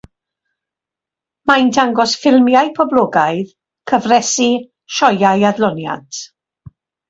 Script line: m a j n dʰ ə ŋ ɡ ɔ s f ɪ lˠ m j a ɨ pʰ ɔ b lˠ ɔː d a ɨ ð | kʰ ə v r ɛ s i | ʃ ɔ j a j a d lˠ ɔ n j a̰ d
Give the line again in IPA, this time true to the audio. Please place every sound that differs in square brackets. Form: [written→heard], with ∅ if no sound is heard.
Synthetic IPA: m a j n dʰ [ə→a] ŋ ɡ ɔ s f ɪ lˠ m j a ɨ pʰ ɔ b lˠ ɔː [d→ɡ] a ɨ ð | kʰ ə v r ɛ s i | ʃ ɔ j a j a d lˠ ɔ n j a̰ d